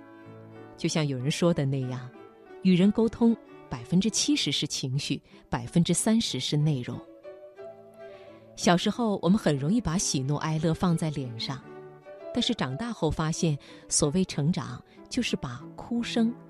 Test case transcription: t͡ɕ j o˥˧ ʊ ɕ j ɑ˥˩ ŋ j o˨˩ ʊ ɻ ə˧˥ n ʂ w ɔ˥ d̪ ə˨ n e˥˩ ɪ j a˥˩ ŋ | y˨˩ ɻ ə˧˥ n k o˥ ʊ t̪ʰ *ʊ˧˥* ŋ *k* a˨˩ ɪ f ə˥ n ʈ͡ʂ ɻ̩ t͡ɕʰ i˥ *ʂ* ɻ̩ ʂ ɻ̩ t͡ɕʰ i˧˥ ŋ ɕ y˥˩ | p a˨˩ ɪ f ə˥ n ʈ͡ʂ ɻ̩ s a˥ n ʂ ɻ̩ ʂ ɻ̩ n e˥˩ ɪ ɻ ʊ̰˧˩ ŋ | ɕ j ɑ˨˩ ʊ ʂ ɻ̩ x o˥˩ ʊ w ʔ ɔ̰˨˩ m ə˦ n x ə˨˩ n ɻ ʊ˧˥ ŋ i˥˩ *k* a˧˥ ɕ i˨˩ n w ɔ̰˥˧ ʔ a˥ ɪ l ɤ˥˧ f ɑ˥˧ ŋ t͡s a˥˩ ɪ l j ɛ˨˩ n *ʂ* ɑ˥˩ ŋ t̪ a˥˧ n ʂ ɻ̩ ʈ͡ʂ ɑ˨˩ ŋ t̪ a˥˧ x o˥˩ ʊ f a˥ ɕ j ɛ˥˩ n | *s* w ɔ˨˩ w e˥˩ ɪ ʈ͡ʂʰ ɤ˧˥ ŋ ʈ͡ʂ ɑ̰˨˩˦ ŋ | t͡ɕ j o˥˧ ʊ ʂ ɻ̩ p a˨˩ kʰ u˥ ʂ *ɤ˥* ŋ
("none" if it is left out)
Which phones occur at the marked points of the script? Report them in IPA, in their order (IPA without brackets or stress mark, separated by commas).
ʊ˥, p, ʂ, p, ʂ, s, ɤ˥